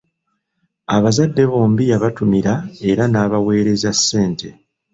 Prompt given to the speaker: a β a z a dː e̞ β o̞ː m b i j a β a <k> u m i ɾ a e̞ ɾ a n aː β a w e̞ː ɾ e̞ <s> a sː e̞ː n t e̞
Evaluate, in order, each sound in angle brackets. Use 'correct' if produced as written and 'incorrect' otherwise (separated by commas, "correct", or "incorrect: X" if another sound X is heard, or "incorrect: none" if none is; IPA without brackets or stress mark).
incorrect: t, incorrect: z